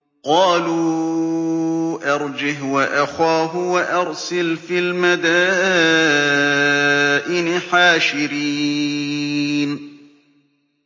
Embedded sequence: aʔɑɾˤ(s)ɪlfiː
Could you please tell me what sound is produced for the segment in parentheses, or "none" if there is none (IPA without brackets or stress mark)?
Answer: s